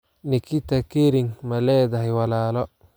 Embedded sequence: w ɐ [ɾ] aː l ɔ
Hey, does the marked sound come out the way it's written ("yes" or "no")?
no